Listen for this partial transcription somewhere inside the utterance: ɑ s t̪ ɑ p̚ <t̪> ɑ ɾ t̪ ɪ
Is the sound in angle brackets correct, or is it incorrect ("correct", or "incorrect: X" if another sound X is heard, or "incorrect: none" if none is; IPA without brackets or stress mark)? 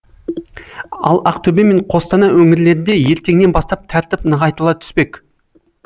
incorrect: t̪ʰ